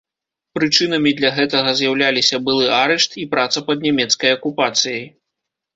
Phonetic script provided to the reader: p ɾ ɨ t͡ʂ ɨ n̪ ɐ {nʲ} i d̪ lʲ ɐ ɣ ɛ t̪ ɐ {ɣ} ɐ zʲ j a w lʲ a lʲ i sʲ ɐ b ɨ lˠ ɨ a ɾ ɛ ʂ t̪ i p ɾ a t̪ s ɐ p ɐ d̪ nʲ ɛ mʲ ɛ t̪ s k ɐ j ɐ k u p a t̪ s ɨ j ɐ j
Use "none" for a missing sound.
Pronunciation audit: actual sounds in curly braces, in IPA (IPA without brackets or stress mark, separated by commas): mʲ, ɣ